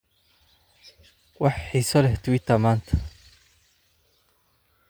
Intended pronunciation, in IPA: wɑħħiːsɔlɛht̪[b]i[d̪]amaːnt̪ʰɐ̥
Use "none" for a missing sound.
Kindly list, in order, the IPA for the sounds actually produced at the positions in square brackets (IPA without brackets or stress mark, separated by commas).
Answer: w, t̪